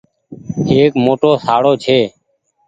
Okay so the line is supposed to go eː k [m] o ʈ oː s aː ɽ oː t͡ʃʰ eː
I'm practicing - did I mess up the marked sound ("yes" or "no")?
no